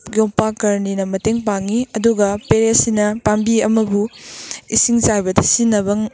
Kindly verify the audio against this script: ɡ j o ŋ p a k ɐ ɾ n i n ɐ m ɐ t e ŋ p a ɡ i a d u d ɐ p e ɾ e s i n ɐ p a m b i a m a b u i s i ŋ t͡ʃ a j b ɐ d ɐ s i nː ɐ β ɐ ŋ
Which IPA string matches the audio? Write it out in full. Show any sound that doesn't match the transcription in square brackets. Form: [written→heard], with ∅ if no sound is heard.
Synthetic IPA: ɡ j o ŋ p a k ɐ ɾ n i n ɐ m ɐ t e ŋ p a [ɡ→ŋ] i [a→ɐ] d u [d→ɡ] ɐ p e ɾ e s i n ɐ p a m b i [a→ɐ] m [a→ɐ] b u i s i ŋ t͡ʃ a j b ɐ d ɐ s i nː ɐ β ɐ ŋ